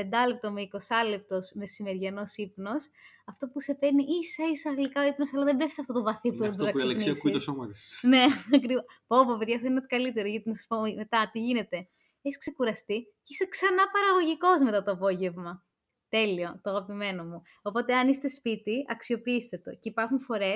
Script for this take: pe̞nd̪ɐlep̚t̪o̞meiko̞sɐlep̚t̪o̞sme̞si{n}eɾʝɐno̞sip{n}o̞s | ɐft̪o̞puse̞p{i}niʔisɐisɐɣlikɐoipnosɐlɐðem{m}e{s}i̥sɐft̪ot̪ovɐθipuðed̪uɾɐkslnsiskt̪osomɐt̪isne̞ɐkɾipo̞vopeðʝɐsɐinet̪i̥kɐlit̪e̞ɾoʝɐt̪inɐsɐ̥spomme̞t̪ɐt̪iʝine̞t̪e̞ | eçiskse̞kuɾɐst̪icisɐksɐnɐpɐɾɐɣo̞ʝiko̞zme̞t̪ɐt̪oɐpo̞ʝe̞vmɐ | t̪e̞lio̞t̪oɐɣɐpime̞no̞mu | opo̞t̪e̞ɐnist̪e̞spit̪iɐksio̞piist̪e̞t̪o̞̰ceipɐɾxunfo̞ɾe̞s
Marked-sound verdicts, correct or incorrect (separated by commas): incorrect, correct, incorrect, incorrect, incorrect